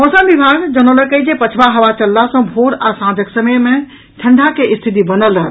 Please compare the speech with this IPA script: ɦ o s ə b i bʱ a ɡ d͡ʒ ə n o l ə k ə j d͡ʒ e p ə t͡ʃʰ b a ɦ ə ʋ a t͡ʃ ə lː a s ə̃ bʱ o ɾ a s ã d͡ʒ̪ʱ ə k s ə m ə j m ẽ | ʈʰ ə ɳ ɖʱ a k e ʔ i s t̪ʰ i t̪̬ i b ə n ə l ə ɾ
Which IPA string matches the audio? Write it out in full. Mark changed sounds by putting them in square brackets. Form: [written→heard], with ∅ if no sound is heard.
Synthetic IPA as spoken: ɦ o s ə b i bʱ a ɡ d͡ʒ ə n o l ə k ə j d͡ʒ e p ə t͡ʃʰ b a ɦ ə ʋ a t͡ʃ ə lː a s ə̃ bʱ o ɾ a s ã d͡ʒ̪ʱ ə k s ə m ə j m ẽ | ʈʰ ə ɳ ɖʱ a k e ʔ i s t̪ʰ i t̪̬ i b ə n ə l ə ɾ